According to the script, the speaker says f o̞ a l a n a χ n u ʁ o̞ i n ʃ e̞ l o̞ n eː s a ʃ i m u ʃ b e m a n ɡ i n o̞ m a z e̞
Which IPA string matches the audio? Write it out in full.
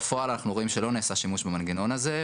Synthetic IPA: f o̞ a l a n a χ n u ʁ o̞ i m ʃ e̞ l o̞ n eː s a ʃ i m u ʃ b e m a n ɡ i n o̞ n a z e̞

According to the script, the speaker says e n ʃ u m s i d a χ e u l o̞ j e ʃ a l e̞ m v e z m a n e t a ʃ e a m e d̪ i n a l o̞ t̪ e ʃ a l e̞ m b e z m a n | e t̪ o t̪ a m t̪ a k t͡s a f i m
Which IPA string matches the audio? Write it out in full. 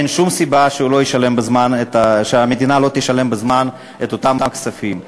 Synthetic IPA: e n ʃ u m s i b a ʃ e u l o̞ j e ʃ a l e̞ m b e z m a n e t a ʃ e a m e d̪ i n a l o̞ t̪ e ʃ a l e̞ m b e z m a n | e t̪ o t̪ a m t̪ a k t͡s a f i m

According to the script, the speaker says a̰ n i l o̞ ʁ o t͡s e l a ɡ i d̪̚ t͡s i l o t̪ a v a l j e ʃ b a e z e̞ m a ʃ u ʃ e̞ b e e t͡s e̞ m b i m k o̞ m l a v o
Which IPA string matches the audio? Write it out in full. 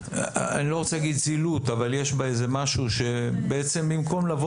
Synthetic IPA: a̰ n i l o̞ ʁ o t͡s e l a ɡ i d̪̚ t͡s i l u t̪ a v a l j e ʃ b a e z e̞ m a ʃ u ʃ e̞ b e e t͡s e̞ m b i m k o̞ m l a v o

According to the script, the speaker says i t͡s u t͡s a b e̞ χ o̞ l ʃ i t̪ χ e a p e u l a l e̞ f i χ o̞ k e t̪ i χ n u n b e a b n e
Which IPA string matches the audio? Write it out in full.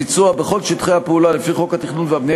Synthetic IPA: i t͡s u a b e̞ χ o̞ l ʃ i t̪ χ e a p e u l a l e̞ f i χ o̞ k a t̪ i χ n u n v e a b n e

